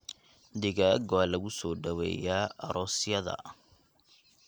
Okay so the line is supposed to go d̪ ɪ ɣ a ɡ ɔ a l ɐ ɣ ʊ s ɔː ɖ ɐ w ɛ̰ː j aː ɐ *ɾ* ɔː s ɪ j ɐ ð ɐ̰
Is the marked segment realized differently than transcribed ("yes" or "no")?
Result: no